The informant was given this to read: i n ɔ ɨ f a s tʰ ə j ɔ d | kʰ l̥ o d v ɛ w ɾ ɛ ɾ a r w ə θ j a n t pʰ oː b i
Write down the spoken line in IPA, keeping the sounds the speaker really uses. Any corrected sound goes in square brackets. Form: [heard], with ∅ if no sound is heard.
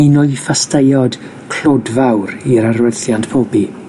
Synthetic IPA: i n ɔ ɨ f a s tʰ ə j ɔ d | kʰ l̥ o d v [a] w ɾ [i] ɾ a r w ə θ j a n t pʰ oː b i